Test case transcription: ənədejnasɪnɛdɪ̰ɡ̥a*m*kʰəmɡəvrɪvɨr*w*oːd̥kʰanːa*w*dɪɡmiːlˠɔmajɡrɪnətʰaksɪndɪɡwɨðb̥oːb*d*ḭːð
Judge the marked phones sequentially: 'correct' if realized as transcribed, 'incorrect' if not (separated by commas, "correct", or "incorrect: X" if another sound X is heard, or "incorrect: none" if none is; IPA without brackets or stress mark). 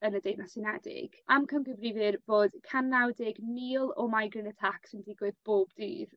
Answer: correct, incorrect: v, correct, correct